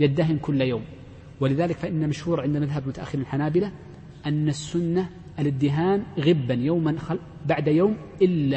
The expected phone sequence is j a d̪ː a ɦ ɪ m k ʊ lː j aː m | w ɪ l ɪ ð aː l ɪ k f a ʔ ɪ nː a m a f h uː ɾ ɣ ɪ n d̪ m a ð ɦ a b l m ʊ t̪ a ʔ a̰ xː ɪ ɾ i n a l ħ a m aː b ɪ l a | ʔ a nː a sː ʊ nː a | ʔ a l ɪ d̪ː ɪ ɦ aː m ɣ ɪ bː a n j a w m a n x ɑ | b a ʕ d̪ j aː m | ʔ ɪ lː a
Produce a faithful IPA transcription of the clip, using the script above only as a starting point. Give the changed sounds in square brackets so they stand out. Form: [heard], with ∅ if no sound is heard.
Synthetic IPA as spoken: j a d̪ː a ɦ ɪ m k ʊ lː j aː m | w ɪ l ɪ ð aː l ɪ k f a ʔ ɪ nː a m a [ʃ] h uː ɾ [ʕ] ɪ n d̪ m a ð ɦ a b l m ʊ t̪ a ʔ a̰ xː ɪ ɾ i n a l ħ a [n] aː b ɪ l a | ʔ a nː a sː ʊ nː a | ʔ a l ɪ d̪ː ɪ ɦ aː m ɣ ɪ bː a n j a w m a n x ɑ | b a ʕ d̪ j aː m | ʔ ɪ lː a